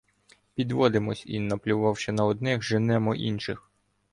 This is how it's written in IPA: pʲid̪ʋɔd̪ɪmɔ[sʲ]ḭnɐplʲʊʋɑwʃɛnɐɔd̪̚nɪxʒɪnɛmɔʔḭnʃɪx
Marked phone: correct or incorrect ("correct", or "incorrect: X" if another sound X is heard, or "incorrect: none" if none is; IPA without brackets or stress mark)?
correct